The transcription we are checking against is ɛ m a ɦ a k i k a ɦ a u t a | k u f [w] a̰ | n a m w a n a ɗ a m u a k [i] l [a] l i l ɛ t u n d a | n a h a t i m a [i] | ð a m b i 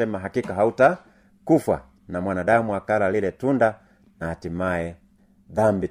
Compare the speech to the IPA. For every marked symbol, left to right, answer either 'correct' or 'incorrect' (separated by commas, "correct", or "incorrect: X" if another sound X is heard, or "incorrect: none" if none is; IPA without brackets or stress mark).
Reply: correct, incorrect: a, correct, incorrect: ɛ